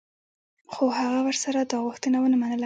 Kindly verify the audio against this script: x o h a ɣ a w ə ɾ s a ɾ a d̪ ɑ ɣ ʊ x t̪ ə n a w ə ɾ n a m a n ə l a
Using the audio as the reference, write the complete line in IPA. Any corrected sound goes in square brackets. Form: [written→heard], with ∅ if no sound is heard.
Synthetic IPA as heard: x o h a ɣ a w ə ɾ s a ɾ a d̪ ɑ ɣ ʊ x t̪ ə n a w ə [ɾ→∅] n a m a n ə l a